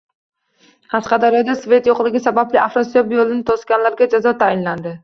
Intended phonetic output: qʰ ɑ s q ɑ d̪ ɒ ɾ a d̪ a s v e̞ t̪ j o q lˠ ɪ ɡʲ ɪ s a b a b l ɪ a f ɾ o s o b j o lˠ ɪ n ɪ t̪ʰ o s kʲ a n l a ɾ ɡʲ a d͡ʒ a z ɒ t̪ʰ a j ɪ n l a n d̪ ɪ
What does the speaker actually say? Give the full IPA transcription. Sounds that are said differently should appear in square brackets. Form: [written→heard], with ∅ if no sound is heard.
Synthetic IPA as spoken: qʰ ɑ s q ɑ d̪ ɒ ɾ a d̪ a s v e̞ t̪ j o q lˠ ɪ ɡʲ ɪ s a b a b l ɪ a f ɾ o s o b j o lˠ ɪ n ɪ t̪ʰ o s kʲ a n l a ɾ ɡʲ a d͡ʒ a z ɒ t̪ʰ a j ɪ n l a n d̪ ɪ